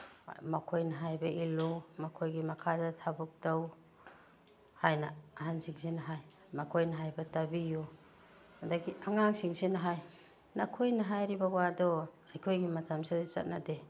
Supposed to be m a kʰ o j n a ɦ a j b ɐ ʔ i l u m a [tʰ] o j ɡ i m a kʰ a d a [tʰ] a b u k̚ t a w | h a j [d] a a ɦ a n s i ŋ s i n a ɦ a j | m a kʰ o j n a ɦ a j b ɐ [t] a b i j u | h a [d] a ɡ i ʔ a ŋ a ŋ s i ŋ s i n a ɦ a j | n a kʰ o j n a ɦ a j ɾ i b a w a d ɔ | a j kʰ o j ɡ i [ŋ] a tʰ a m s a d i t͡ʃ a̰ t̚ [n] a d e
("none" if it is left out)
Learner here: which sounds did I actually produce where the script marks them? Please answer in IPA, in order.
kʰ, tʰ, n, t, d, m, n

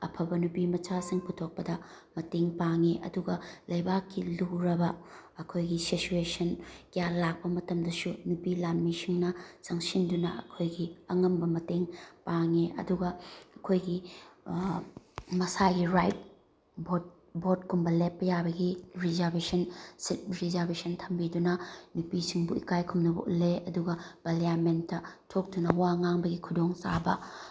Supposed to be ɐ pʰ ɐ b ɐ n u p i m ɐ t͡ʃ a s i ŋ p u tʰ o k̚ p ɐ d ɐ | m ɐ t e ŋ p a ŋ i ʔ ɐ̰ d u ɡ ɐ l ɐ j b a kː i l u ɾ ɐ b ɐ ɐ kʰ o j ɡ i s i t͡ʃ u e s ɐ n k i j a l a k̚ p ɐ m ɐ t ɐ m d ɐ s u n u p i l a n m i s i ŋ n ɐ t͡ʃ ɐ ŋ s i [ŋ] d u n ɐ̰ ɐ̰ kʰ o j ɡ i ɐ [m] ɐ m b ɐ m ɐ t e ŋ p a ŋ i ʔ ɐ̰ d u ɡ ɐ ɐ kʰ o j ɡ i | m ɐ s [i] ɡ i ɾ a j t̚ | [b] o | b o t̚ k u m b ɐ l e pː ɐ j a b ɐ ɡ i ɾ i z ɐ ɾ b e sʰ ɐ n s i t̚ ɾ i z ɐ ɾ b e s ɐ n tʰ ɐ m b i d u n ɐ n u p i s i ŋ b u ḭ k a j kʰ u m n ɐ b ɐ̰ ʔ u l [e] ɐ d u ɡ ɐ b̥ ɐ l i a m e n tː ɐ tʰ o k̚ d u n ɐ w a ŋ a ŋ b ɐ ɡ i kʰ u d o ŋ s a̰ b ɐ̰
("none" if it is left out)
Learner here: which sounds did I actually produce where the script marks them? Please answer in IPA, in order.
n, ŋ, a, b, e

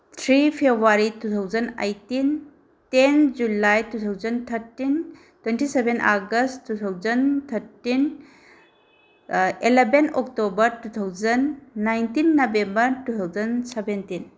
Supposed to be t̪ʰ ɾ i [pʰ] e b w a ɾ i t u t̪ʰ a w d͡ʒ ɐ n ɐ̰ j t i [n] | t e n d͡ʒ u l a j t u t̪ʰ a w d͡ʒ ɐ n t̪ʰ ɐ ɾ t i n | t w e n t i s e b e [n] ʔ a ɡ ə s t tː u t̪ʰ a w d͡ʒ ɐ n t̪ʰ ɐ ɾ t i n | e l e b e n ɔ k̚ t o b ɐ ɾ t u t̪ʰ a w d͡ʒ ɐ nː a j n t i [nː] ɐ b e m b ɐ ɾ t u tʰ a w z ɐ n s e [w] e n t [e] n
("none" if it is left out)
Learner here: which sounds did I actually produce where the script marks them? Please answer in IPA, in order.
pʰ, n, n, nː, b, i

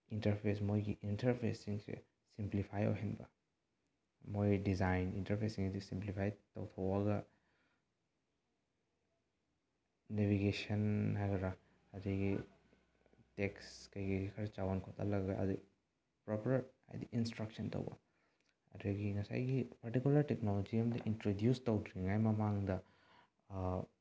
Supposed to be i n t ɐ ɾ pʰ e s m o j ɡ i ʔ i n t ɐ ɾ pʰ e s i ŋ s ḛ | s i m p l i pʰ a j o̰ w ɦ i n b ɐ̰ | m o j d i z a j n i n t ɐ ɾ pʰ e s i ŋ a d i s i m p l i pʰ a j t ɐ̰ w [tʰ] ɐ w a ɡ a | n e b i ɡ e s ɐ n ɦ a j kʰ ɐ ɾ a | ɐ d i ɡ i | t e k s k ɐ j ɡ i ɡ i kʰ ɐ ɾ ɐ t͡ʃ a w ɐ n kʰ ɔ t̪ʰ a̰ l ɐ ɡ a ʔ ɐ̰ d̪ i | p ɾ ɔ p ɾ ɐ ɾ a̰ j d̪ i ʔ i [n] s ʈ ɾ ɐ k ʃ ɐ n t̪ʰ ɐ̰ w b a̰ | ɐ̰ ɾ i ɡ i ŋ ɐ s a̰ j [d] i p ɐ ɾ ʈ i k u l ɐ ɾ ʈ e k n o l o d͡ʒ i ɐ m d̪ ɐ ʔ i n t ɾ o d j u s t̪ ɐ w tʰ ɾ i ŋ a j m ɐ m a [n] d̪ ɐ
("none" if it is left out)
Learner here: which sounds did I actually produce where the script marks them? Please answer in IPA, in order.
tʰ, n, ɡ, ŋ

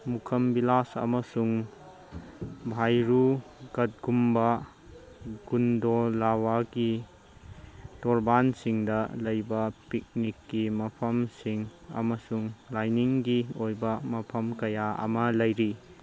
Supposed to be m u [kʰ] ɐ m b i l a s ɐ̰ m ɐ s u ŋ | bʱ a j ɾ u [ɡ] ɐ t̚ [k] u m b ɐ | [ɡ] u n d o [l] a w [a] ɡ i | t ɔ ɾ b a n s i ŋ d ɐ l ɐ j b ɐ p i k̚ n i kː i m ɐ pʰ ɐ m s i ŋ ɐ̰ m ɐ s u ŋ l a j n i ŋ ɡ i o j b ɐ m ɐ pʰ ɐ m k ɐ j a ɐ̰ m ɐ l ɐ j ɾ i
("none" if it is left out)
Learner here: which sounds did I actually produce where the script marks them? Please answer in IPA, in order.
kʰ, ɡ, ɡ, ɡ, l, a

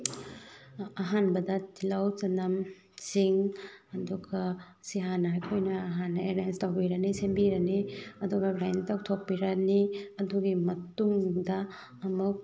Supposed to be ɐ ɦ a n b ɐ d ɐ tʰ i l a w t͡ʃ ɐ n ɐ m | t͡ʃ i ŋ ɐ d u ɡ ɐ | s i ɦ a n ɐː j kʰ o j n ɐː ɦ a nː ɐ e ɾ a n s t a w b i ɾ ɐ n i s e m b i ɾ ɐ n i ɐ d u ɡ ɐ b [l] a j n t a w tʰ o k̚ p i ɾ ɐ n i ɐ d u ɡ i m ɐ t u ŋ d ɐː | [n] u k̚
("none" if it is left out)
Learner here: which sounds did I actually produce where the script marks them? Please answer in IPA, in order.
ɾ, m

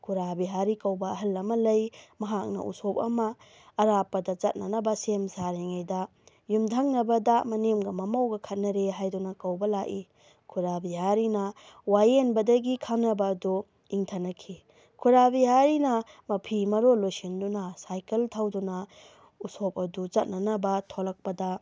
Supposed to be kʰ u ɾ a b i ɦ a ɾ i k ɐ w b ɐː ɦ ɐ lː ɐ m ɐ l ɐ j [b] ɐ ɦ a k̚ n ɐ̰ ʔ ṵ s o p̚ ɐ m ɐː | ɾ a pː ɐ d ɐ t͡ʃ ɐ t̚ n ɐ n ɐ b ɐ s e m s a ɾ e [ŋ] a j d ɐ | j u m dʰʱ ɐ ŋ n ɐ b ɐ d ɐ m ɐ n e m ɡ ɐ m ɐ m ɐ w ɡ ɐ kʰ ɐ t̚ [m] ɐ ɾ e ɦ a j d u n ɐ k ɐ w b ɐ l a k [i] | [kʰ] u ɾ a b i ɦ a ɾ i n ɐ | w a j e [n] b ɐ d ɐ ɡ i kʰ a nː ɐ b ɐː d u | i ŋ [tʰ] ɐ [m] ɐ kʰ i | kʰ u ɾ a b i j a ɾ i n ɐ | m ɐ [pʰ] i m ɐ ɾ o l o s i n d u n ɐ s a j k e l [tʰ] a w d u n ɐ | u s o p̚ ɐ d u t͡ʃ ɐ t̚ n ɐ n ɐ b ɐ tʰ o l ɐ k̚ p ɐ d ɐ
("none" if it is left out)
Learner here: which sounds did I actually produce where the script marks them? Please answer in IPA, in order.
m, ŋ, n, i, kʰ, n, tʰ, n, pʰ, tʰ

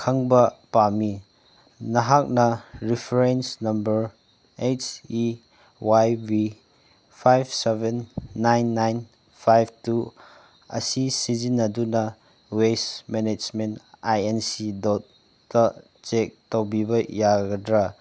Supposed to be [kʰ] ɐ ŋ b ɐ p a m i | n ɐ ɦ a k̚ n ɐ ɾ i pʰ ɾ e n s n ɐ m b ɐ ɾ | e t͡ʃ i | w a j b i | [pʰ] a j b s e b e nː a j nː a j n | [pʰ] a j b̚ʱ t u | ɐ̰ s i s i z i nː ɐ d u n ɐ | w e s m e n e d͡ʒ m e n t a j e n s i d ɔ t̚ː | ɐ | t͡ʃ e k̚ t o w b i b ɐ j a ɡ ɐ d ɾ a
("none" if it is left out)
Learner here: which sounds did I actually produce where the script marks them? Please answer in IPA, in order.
kʰ, pʰ, pʰ

